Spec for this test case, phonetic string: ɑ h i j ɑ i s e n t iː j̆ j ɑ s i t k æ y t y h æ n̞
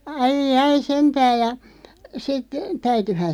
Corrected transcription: ɑ i j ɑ i s e n t æː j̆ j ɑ s i t t æ y t y h æ n̞